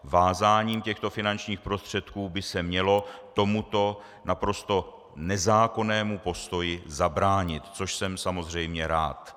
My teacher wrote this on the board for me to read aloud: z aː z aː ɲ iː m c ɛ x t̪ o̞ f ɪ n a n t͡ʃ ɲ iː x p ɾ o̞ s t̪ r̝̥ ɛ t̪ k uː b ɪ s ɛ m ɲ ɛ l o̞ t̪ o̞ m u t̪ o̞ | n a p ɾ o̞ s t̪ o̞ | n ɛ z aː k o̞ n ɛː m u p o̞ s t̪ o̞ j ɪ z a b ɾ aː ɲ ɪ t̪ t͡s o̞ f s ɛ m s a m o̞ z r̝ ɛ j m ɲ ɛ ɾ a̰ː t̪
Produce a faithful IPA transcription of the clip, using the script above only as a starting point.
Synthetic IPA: v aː z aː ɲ iː m c ɛ x t̪ o̞ f ɪ n a n t͡ʃ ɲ iː x p ɾ o̞ s t̪ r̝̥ ɛ t̪ k uː b ɪ s ɛ m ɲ ɛ l o̞ t̪ o̞ m u t̪ o̞ | n a p ɾ o̞ s t̪ o̞ | n ɛ z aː k o̞ n ɛː m u p o̞ s t̪ o̞ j ɪ z a b ɾ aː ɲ ɪ t̪ t͡s o̞ ʃ s ɛ m s a m o̞ z r̝ ɛ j m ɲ ɛ ɾ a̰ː t̪